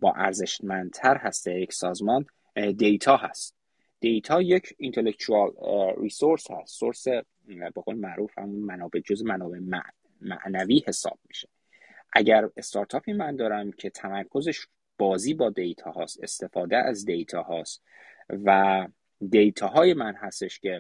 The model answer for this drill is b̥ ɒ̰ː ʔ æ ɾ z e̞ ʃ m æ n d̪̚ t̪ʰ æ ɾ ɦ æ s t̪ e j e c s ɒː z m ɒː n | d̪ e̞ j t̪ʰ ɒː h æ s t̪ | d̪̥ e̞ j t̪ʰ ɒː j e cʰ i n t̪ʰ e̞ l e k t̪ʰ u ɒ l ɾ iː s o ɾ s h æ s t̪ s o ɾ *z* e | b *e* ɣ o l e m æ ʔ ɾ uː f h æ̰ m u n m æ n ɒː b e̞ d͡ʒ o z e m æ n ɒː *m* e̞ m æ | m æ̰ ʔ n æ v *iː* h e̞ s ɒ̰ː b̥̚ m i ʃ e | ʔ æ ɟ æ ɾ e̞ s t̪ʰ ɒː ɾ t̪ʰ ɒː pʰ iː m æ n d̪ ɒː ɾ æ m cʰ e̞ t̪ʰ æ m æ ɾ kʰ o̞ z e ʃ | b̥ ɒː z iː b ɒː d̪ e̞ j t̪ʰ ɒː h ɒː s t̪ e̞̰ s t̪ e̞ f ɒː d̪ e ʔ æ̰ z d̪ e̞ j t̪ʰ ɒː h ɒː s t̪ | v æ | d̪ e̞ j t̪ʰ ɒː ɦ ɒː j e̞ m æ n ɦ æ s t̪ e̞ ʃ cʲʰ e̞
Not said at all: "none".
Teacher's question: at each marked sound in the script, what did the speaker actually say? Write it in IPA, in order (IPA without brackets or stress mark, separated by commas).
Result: s, e, b, iː